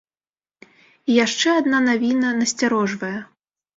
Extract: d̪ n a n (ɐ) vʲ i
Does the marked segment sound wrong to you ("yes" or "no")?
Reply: yes